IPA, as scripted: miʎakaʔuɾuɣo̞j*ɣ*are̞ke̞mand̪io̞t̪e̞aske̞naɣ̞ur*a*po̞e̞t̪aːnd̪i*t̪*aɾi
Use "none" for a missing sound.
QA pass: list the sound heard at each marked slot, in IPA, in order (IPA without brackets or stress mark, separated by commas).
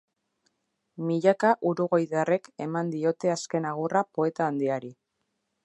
ð, a, none